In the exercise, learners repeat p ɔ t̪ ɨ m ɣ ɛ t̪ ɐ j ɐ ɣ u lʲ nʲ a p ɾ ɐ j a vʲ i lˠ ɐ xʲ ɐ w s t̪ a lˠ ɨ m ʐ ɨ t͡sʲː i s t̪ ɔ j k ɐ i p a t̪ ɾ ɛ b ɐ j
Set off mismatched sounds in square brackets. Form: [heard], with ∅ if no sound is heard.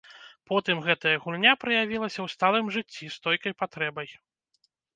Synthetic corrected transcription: p ɔ t̪ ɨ m ɣ ɛ t̪ ɐ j ɐ ɣ u lʲ nʲ a p ɾ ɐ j a vʲ i lˠ ɐ [sʲ] ɐ w s t̪ a lˠ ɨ m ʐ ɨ t͡sʲː i s t̪ ɔ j k ɐ [j] p a t̪ ɾ ɛ b ɐ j